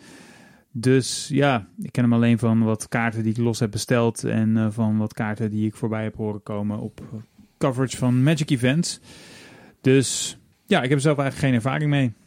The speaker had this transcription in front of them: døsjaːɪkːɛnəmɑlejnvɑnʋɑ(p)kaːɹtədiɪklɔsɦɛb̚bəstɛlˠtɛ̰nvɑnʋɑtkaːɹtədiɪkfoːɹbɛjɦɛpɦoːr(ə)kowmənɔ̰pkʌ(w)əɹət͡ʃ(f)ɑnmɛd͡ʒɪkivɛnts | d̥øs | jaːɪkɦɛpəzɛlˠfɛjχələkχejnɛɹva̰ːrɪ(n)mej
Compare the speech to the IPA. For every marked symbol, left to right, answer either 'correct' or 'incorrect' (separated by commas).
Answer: incorrect, correct, incorrect, correct, incorrect